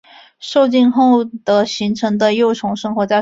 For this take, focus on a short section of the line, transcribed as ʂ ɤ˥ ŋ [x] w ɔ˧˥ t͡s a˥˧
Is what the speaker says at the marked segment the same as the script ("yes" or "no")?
yes